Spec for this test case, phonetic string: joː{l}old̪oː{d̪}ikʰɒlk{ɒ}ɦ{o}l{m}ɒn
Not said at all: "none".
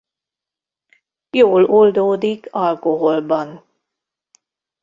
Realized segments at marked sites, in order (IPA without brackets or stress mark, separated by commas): l, d̪, o, o, b